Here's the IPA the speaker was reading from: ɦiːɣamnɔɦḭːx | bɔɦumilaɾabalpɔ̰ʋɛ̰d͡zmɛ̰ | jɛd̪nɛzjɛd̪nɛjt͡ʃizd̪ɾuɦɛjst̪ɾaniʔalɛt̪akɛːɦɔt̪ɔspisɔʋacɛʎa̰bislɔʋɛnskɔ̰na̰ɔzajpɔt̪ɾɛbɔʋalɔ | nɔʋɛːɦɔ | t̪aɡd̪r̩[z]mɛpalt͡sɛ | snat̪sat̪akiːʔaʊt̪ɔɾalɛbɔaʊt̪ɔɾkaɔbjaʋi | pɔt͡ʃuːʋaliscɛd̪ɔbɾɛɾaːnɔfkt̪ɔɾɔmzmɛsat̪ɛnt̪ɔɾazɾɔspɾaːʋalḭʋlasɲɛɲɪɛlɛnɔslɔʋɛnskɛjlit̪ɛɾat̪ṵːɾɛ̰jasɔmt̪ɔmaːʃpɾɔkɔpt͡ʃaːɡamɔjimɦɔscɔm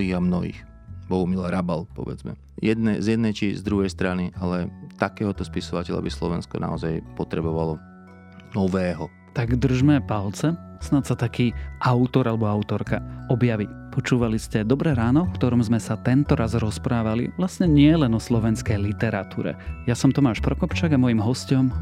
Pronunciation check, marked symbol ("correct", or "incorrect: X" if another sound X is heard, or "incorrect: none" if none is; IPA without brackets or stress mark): incorrect: ʒ